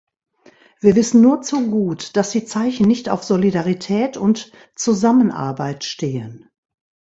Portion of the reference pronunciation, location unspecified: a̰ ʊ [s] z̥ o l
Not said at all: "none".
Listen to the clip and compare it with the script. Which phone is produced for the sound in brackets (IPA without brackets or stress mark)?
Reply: f